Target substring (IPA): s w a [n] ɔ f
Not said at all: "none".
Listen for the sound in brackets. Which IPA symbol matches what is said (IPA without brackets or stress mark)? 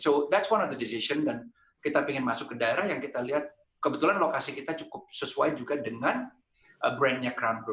n